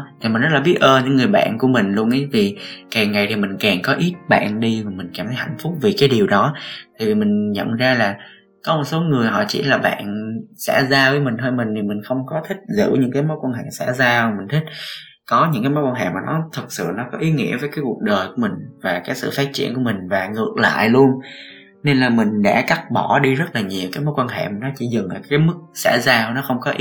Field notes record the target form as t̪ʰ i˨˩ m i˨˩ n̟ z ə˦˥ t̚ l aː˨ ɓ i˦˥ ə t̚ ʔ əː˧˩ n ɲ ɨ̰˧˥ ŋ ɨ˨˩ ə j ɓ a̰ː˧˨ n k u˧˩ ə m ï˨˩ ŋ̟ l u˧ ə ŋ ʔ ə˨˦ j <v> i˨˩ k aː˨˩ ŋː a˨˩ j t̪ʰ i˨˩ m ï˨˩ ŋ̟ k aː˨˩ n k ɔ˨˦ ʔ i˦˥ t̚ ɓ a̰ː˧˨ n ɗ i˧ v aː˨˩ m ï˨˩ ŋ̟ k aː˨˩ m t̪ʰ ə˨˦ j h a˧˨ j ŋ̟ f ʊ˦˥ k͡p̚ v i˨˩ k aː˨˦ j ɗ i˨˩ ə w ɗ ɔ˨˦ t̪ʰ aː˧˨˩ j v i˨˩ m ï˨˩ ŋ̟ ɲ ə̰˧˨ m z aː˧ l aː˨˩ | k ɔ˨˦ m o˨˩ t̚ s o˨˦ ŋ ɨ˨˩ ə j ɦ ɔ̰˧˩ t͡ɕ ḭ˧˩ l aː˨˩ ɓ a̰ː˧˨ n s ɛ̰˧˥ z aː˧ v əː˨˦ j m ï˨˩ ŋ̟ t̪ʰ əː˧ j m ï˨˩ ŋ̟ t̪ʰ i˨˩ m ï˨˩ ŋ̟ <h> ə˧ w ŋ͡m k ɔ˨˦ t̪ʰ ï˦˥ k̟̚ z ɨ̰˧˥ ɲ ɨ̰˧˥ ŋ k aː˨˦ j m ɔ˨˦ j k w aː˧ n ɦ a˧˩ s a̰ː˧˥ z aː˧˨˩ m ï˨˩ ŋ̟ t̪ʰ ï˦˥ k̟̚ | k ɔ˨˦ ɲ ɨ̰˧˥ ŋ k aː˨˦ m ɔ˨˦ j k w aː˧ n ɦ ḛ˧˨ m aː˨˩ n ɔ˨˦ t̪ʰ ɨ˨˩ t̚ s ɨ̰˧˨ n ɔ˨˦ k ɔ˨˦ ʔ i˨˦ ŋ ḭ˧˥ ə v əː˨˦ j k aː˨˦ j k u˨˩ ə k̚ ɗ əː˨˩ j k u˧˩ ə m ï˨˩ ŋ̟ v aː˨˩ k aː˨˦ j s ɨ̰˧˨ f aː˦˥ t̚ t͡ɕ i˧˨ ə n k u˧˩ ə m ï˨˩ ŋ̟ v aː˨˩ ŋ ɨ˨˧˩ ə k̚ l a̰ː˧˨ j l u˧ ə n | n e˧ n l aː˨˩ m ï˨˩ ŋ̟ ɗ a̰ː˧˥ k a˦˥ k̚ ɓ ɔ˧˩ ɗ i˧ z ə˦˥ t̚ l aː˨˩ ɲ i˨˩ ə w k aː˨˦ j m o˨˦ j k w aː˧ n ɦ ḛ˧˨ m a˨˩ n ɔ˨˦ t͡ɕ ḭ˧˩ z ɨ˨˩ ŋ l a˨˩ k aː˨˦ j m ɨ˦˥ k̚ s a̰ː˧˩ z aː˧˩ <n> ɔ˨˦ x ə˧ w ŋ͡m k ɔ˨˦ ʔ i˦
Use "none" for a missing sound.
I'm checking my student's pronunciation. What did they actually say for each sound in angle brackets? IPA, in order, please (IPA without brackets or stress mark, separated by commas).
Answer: v, x, n